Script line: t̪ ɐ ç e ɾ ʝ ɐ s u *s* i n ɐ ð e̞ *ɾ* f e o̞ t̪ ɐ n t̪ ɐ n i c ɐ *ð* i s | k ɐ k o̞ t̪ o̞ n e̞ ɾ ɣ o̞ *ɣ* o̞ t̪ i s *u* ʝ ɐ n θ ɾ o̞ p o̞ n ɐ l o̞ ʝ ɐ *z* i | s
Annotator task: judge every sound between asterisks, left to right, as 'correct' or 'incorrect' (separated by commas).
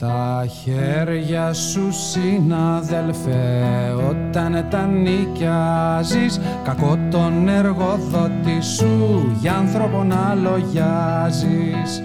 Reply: correct, incorrect, incorrect, incorrect, correct, correct